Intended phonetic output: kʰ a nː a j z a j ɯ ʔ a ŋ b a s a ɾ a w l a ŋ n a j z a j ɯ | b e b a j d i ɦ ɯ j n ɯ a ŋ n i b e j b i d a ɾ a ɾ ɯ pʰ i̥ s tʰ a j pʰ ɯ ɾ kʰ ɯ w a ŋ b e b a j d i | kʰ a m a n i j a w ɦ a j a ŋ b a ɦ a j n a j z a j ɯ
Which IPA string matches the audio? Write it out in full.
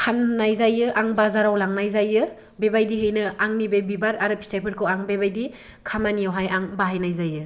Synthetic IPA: kʰ a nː a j z a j ɯ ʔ a ŋ b a z a ɾ a w l a ŋ n a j z a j ɯ | b e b a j d i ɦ ɯ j n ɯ a ŋ n i b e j b i b a ɾ a ɾ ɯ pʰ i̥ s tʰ a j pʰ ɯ ɾ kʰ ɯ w a ŋ b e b a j d i | kʰ a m a n i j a w ɦ a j a ŋ b a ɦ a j n a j z a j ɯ